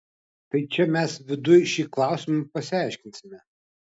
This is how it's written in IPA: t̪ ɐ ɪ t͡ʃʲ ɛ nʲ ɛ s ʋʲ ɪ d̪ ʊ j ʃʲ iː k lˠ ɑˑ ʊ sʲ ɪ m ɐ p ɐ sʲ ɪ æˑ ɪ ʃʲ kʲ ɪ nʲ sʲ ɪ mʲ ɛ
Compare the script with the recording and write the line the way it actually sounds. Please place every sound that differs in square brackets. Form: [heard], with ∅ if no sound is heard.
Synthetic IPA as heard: t̪ ɐ ɪ t͡ʃʲ ɛ [mʲ] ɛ s ʋʲ ɪ d̪ ʊ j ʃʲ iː k lˠ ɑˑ ʊ sʲ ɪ m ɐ p ɐ sʲ ɪ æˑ ɪ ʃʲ kʲ ɪ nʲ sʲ ɪ mʲ ɛ